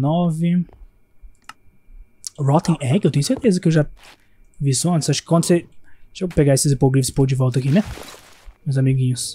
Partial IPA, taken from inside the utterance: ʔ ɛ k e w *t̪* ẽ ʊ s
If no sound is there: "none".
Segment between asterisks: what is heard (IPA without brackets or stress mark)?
t̪